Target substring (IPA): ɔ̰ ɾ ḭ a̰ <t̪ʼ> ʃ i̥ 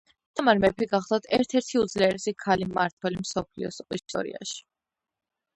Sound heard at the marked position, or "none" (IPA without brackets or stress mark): none